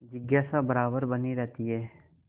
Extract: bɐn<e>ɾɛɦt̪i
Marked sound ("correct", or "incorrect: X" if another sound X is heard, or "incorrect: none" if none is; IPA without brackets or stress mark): incorrect: i